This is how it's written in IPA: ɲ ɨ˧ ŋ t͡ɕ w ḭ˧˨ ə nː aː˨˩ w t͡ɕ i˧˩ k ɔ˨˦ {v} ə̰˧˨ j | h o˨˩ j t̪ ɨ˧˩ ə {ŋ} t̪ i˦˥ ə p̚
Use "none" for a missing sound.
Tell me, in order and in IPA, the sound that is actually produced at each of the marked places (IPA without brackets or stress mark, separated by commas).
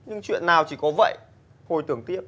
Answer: v, ŋ